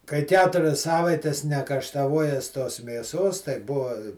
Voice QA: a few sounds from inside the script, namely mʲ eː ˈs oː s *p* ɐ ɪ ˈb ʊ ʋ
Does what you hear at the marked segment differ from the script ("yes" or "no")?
yes